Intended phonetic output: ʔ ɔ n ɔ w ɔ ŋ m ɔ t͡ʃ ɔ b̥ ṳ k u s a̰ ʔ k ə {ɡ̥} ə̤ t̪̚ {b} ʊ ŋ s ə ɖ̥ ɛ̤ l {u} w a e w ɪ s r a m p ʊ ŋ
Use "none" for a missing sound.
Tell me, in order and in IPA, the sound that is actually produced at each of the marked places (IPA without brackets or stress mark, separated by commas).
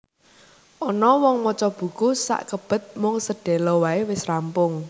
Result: b̥, m, ɔ